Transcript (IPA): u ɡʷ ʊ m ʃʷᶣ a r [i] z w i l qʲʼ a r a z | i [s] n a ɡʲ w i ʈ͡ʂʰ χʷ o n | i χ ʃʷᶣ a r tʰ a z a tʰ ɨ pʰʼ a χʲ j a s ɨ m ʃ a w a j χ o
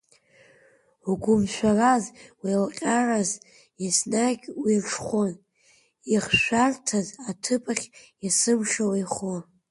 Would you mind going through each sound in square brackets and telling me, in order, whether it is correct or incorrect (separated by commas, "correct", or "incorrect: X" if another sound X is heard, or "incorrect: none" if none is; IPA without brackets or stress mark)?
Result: incorrect: a, correct